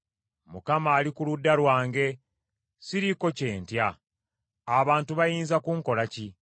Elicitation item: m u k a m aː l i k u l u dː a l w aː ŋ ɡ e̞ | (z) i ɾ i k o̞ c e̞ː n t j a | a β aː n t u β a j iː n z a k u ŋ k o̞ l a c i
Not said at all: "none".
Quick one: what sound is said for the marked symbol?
s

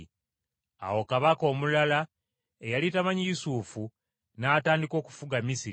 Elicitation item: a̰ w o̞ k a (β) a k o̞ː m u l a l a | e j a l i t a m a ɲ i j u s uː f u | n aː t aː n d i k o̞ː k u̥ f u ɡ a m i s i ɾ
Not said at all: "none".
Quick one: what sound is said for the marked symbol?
β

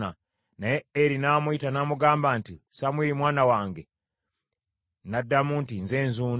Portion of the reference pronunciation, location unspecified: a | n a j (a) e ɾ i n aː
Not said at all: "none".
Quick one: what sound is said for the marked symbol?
e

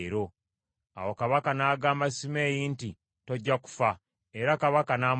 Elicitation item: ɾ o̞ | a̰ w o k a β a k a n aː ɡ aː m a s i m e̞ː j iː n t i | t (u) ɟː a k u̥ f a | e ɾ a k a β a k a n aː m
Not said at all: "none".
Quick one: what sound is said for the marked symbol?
o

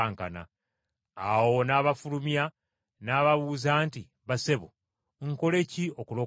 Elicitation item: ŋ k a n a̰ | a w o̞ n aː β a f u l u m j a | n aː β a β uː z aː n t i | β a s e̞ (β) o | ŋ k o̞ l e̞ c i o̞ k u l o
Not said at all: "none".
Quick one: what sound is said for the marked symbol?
β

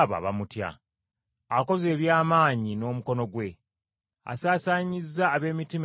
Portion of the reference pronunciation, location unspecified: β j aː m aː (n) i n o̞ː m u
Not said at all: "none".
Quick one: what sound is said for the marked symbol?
ɲ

